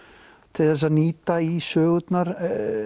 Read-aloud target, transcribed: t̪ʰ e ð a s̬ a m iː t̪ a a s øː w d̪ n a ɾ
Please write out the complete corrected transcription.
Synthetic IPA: t̪ʰ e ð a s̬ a n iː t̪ a i s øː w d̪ n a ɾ